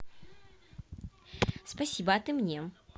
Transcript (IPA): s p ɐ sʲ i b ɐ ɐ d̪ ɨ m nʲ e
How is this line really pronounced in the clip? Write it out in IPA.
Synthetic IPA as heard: s p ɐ sʲ i b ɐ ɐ t̪ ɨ m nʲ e